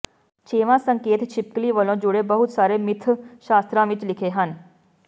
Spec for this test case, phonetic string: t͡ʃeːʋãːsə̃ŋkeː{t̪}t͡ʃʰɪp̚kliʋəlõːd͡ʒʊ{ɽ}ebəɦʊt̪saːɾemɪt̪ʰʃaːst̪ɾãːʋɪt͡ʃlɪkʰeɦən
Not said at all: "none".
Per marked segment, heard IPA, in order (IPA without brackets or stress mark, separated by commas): t̪, ɽ